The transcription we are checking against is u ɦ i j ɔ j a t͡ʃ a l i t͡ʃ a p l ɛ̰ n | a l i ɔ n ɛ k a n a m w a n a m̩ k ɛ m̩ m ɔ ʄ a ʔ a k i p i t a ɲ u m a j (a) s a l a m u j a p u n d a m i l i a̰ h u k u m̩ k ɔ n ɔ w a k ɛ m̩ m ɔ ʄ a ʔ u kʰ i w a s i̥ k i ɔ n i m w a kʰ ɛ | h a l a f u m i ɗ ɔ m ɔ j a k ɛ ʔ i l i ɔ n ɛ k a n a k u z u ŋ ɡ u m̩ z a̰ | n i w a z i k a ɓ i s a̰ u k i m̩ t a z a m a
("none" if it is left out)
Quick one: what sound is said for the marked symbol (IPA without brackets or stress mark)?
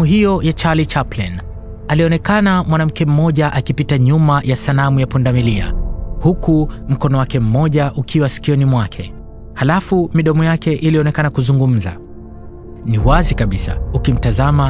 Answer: a